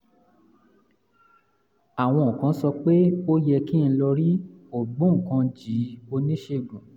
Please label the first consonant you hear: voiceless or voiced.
voiced